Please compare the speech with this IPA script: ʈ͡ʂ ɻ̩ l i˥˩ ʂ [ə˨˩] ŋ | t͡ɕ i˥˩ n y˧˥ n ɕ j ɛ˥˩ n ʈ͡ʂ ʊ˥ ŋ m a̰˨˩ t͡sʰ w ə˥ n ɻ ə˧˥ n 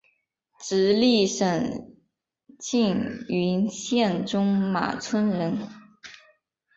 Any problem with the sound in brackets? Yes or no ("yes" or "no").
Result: no